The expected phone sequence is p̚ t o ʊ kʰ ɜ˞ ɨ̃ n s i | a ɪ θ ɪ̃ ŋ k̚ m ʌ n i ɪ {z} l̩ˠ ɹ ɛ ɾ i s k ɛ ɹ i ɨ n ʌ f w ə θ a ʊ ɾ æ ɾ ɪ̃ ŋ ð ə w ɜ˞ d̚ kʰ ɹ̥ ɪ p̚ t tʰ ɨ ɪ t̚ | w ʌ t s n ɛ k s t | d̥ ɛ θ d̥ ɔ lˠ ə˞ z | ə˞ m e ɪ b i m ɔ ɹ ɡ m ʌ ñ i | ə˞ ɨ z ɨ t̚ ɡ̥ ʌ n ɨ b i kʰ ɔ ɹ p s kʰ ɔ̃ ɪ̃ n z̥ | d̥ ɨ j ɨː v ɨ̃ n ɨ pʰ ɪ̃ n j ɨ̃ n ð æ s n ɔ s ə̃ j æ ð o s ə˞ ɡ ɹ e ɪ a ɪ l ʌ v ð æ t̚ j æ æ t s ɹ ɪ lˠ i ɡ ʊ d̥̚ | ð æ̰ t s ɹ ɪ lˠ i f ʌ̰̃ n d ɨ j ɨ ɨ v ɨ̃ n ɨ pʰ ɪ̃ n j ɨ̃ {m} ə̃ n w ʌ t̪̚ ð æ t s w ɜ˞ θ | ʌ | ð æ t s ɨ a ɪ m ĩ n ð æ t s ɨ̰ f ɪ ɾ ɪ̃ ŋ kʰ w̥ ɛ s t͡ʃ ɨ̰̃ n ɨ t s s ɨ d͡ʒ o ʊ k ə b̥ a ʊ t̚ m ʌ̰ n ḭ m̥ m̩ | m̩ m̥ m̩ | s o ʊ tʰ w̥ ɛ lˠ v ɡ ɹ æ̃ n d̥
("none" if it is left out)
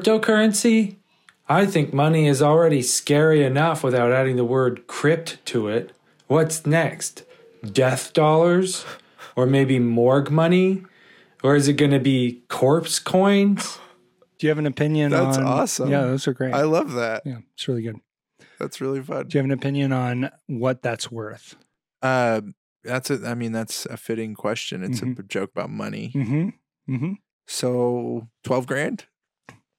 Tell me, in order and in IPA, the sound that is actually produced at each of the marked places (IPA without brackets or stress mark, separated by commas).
z, n